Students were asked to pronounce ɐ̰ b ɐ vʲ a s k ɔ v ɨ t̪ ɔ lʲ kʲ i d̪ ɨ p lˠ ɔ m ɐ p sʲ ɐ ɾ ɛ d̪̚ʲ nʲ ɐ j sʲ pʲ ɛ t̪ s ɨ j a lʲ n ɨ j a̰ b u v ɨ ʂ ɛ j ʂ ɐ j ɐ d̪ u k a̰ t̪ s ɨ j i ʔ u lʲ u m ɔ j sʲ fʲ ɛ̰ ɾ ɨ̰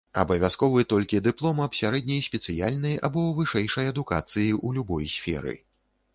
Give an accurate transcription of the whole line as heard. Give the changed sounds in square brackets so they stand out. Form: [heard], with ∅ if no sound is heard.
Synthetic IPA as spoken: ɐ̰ b ɐ vʲ a s k ɔ v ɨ t̪ ɔ lʲ kʲ i d̪ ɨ p lˠ ɔ m ɐ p sʲ [a] ɾ ɛ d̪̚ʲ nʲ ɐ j sʲ pʲ ɛ t̪ s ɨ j a lʲ n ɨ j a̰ b [ɔ] v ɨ ʂ ɛ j ʂ ɐ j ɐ d̪ u k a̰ t̪ s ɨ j i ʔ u lʲ u [b] ɔ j sʲ fʲ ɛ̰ ɾ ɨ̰